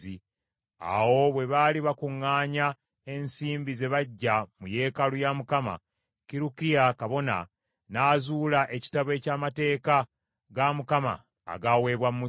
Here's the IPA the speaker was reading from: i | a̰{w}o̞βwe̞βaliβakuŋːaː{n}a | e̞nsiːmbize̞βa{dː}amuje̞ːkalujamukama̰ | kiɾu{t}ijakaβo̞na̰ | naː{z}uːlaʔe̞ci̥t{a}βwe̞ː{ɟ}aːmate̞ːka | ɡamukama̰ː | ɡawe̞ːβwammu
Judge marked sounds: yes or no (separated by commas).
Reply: yes, no, no, no, yes, yes, no